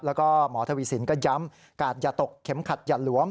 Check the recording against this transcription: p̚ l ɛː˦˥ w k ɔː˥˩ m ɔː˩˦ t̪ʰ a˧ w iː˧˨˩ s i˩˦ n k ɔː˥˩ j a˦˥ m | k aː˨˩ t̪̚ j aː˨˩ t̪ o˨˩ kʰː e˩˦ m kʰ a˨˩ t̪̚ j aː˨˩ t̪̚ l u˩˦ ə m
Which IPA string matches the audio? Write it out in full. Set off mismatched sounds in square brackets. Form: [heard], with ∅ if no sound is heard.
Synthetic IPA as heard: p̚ l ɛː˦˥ w k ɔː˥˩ m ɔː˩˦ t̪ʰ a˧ w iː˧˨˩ s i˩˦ n k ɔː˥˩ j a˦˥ m | k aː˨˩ t̪̚ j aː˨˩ t̪ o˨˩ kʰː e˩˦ m kʰ a˨˩ t̪̚ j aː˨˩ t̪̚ l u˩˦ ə m